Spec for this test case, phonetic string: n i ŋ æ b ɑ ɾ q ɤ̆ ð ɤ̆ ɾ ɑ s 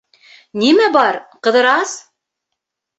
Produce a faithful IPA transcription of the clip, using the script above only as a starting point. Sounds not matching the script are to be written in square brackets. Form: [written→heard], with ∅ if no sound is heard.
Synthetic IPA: n i [ŋ→m] æ b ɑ ɾ q ɤ̆ ð ɤ̆ ɾ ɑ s

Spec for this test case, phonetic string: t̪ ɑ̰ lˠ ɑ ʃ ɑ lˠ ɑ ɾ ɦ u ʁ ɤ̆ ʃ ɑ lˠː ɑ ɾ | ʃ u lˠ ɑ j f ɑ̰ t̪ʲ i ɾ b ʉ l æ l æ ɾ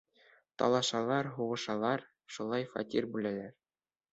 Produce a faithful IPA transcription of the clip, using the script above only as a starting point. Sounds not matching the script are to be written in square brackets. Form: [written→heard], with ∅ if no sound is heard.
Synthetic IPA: t̪ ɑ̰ lˠ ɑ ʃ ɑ lˠ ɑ ɾ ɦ u ʁ ɤ̆ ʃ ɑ [lˠː→lˠ] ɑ ɾ | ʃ u lˠ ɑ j f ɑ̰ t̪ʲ i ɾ b ʉ l æ l æ ɾ

